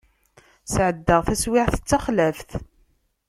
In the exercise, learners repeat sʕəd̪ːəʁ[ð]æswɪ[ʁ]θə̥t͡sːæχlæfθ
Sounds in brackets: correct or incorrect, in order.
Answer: incorrect, incorrect

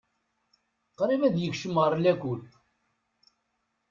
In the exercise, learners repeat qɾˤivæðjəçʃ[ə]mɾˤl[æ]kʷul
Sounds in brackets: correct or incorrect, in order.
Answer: correct, correct

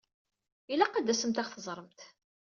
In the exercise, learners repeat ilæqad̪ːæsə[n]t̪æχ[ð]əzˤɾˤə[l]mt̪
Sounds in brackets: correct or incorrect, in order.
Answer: incorrect, incorrect, incorrect

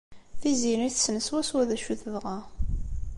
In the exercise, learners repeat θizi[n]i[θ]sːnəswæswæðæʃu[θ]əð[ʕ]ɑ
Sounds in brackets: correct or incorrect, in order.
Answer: correct, correct, correct, incorrect

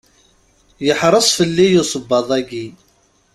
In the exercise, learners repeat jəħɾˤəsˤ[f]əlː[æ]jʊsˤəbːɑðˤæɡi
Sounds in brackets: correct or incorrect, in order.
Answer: correct, incorrect

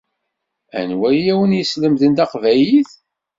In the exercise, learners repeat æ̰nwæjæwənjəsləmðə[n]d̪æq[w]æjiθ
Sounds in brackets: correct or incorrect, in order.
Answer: correct, incorrect

